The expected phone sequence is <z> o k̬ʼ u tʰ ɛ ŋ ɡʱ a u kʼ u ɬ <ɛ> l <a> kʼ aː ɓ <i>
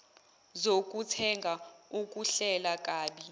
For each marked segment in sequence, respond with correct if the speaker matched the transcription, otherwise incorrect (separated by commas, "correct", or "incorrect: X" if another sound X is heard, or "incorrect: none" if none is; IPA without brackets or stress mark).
correct, correct, correct, correct